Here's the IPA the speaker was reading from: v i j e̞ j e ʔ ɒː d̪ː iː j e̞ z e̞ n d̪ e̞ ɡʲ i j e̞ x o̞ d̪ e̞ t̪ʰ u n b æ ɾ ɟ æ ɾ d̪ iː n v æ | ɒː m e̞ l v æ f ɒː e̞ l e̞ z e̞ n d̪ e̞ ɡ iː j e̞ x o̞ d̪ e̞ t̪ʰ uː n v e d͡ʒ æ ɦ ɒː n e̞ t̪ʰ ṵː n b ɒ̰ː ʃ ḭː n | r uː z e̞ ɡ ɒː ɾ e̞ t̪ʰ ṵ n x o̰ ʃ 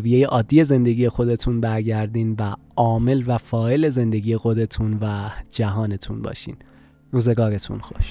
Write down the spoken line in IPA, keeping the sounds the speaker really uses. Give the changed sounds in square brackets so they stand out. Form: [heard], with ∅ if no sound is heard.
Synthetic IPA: v i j e̞ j e ʔ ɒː d̪ː [i] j e̞ z e̞ n d̪ e̞ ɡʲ i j e̞ x o̞ d̪ e̞ t̪ʰ u n b æ ɾ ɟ æ ɾ d̪ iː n v æ | ɒː m e̞ l v æ f ɒː e̞ l e̞ z e̞ n d̪ e̞ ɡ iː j e̞ x o̞ d̪ e̞ t̪ʰ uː n v [æ] d͡ʒ æ ɦ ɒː n e̞ t̪ʰ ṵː n b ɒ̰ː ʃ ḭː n | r uː z e̞ ɡ ɒː ɾ e̞ t̪ʰ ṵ n x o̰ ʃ